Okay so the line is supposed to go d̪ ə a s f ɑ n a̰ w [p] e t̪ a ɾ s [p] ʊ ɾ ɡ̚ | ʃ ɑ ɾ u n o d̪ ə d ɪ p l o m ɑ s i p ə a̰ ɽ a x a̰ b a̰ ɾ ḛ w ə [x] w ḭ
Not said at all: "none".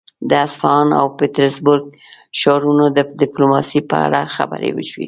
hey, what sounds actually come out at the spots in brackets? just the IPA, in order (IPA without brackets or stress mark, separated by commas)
p, b, ʃ